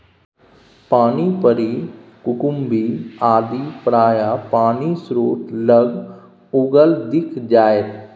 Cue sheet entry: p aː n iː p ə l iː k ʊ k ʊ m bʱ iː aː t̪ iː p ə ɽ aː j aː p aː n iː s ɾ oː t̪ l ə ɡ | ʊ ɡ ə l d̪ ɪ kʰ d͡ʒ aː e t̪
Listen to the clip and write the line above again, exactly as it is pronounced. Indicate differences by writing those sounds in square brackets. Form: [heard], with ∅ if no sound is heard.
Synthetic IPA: p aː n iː p ə [ɾ] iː k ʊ k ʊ m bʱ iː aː [d̪] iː p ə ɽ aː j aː p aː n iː s ɾ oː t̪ l ə ɡ | ʊ ɡ ə l d̪ ɪ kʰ d͡ʒ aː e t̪